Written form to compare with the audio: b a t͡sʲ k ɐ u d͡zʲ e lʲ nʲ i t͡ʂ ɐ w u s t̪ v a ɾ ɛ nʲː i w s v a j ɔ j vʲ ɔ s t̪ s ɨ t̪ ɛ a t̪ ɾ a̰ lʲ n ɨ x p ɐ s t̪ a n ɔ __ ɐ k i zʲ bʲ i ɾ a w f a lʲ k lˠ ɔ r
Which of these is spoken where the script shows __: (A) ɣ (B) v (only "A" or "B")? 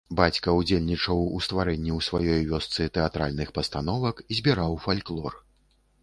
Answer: B